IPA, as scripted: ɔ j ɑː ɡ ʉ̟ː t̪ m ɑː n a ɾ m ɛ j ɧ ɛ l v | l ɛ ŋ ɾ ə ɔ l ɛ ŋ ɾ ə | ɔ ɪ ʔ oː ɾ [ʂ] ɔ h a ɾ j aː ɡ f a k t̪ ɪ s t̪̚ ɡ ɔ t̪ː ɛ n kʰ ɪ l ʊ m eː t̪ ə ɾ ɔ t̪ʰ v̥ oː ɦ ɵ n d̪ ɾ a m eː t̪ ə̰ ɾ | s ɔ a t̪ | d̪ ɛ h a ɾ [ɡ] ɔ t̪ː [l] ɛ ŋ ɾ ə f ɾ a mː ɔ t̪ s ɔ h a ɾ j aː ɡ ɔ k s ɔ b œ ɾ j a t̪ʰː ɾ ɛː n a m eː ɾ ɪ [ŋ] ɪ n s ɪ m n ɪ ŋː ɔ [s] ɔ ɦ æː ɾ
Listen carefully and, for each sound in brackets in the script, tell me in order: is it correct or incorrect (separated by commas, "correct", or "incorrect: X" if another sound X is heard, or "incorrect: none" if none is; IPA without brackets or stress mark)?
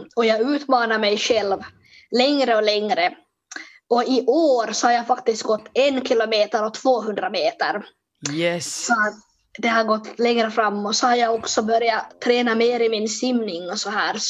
incorrect: s, correct, correct, incorrect: m, correct